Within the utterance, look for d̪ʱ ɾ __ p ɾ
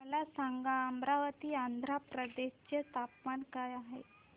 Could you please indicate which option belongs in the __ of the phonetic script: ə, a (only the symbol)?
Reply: a